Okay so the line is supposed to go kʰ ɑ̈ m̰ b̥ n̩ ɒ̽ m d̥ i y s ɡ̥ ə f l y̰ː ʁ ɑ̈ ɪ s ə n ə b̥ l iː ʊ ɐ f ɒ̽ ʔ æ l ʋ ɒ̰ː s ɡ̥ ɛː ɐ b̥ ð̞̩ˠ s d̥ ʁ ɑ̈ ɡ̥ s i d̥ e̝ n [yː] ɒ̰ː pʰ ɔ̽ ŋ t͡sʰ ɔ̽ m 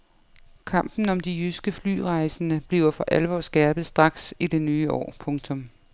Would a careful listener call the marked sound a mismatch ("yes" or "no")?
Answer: no